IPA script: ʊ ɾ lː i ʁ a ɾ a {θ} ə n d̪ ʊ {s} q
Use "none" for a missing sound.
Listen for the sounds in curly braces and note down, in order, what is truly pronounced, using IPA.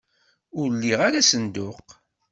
s, none

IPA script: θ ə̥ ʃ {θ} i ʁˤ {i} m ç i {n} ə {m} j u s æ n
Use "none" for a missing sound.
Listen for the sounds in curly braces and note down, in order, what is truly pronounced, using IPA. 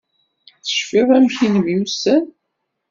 f, æ, n, m

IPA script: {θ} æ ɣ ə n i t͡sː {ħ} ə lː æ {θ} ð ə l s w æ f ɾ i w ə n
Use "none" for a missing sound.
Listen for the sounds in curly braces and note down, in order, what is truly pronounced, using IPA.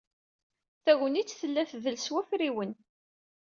θ, θ, θ

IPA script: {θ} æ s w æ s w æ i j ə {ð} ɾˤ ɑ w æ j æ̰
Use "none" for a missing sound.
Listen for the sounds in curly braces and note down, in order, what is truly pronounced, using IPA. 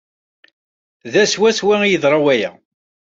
ð, ð

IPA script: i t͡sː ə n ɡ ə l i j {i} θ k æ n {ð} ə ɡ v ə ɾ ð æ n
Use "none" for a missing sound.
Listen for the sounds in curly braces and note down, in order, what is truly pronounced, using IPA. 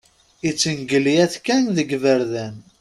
æ, ð

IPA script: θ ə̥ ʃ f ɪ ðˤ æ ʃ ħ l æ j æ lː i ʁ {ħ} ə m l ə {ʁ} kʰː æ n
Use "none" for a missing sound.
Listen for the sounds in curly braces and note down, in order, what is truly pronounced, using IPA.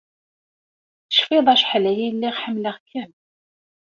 ħ, ʁ

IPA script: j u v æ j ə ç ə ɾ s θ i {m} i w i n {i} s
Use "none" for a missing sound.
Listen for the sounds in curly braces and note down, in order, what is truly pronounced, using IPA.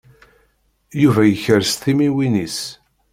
m, i

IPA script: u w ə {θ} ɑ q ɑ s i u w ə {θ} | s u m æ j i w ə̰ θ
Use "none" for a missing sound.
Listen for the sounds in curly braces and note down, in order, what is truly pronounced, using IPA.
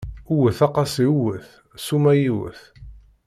θ, θ

